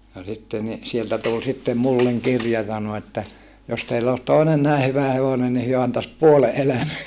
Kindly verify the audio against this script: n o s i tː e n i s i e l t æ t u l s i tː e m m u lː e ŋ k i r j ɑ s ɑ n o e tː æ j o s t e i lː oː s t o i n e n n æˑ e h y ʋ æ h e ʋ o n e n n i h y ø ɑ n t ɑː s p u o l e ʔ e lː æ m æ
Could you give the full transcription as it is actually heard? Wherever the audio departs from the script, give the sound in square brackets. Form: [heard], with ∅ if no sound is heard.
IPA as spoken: n o s i tː e n i s i e l t æ t u l s i tː e m m u lː e ŋ k i r j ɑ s ɑ n o e tː æ j o s t e i lː oː s t o i n e n n æˑ e h y ʋ æ h e ʋ o n e n n i h y ø ɑ n t [ɑ] s p u o l e ʔ e [l] æ m æ